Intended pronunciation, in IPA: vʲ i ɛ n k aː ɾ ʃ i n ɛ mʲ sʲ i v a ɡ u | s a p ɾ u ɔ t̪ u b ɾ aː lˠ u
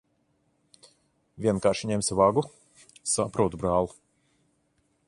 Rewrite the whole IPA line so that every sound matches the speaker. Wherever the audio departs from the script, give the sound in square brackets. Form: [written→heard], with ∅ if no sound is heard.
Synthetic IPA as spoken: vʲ i ɛ n k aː ɾ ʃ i [n→ɲ] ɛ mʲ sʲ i v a ɡ u | s a p ɾ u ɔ t̪ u b ɾ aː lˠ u